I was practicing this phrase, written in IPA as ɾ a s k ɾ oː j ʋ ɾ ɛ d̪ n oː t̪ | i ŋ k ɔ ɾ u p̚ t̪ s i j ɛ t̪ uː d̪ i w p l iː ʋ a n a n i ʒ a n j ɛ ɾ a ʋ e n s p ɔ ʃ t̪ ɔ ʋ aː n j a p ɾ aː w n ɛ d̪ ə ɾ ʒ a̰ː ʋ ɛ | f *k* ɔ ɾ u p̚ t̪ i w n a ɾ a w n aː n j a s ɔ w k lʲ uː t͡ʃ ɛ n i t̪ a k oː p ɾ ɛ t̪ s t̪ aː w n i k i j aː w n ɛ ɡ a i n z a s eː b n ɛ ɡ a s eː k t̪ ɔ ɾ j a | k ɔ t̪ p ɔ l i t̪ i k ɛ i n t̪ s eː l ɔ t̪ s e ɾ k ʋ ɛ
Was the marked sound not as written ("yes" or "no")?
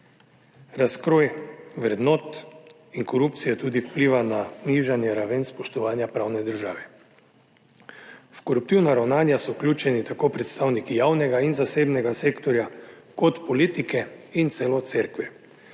no